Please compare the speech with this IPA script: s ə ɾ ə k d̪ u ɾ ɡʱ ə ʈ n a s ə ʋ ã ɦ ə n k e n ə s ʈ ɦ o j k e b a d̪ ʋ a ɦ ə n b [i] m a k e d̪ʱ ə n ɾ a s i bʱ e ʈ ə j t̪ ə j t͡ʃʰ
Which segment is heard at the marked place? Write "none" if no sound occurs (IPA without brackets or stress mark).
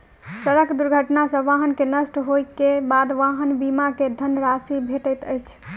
i